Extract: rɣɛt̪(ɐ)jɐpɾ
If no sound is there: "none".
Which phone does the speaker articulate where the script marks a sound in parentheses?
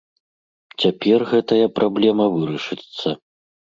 ɐ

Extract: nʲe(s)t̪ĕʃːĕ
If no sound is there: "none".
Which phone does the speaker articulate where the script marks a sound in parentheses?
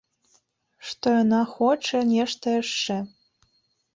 ʃ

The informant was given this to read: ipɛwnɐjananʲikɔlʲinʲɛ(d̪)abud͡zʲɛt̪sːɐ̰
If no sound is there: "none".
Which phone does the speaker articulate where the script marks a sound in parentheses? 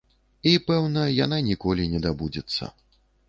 d̪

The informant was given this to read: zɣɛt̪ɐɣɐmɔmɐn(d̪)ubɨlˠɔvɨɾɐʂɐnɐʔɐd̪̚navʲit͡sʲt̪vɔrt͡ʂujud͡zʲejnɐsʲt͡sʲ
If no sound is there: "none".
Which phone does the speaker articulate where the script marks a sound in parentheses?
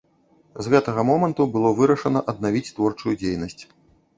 t̪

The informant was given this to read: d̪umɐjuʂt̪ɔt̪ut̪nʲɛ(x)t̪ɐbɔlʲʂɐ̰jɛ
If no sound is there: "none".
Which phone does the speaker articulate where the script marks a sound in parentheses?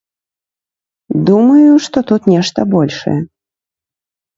ʂ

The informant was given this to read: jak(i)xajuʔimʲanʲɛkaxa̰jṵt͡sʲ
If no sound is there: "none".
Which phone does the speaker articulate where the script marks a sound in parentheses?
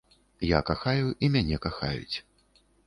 a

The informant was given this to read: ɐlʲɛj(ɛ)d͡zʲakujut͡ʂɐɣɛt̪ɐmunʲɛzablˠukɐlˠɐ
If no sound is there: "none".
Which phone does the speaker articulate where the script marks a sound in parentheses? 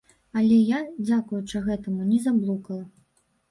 a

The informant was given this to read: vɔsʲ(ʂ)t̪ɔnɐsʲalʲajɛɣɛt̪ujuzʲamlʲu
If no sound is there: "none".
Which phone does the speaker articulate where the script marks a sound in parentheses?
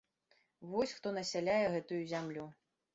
x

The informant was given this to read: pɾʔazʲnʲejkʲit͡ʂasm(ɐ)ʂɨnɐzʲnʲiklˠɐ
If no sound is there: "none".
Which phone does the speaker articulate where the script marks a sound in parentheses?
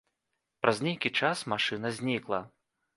a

